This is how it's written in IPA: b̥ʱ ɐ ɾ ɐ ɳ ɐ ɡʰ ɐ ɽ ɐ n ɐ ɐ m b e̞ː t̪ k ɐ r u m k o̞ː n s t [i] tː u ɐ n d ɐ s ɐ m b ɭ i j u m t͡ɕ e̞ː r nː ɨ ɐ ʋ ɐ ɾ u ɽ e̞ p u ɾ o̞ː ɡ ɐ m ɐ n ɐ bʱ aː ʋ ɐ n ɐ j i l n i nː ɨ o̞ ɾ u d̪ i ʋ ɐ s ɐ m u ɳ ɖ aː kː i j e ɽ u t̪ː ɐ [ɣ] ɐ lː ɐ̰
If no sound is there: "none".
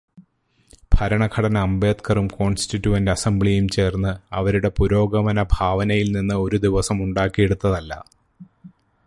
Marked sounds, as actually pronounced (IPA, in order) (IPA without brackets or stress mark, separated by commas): i, ð